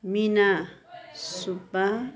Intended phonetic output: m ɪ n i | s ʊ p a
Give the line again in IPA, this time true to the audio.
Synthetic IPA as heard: m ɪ n a | s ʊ p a